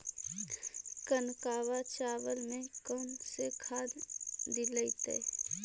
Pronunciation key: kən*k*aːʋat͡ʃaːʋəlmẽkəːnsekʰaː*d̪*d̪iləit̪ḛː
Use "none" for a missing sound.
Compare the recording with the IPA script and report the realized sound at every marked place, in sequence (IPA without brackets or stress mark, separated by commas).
k, d̪